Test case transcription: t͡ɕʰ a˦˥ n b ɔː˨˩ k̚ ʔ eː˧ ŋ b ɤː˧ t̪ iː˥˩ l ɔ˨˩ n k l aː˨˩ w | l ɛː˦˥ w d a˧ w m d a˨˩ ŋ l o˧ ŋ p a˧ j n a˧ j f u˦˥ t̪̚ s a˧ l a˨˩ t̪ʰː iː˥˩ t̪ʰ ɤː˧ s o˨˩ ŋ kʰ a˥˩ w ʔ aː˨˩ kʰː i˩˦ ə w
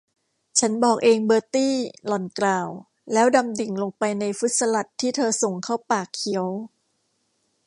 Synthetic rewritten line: t͡ɕʰ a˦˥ n b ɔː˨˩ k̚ ʔ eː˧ ŋ b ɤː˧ t̪ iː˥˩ l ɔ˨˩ n k l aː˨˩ w | l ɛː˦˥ w d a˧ m d i˨˩ ŋ l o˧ ŋ p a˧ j n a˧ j f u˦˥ t̪̚ s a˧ l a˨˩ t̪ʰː iː˥˩ t̪ʰ ɤː˧ s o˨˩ ŋ kʰ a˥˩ w p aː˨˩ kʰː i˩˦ ə w